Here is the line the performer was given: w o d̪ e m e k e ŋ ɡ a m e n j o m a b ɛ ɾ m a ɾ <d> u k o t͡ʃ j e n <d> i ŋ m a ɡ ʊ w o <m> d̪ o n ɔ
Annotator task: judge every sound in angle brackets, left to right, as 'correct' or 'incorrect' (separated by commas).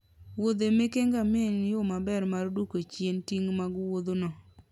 correct, incorrect, incorrect